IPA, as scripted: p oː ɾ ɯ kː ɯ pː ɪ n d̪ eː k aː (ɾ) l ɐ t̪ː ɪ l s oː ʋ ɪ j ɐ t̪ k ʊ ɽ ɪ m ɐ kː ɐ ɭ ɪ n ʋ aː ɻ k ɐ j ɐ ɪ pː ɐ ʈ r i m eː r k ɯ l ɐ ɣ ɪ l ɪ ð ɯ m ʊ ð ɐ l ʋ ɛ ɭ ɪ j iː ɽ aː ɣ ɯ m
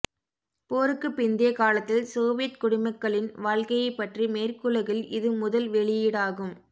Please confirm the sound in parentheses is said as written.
no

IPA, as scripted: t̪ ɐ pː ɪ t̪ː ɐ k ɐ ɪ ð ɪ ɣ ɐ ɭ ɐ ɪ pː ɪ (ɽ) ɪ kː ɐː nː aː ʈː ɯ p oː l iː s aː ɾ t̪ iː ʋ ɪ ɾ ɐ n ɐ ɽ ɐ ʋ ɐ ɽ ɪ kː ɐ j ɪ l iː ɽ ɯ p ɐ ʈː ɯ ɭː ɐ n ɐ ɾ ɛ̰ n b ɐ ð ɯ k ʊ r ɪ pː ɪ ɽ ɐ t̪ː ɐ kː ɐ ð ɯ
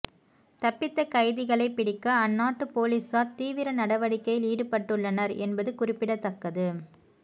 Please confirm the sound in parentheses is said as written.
yes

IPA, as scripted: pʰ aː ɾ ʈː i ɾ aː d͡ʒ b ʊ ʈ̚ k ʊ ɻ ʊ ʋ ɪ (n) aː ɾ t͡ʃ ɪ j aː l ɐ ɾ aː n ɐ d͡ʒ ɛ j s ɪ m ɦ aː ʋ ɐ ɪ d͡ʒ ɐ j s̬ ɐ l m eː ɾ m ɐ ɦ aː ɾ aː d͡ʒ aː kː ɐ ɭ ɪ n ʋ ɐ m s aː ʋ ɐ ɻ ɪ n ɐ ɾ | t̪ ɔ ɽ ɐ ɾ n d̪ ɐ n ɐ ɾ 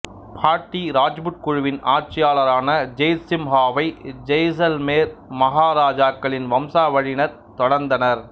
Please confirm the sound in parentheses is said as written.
yes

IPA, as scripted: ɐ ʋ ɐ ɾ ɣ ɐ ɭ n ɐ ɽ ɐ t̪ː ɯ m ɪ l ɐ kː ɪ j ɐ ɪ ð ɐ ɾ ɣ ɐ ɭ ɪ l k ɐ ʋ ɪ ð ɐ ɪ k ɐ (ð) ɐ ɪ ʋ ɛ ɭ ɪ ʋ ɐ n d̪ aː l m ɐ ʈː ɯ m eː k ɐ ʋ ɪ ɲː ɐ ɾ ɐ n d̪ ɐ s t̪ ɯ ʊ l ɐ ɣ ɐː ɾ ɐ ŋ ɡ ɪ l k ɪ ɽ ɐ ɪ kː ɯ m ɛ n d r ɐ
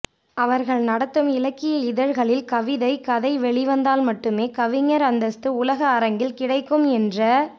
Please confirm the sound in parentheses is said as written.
yes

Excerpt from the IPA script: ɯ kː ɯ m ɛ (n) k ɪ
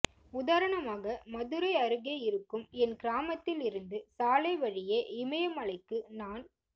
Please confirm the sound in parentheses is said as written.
yes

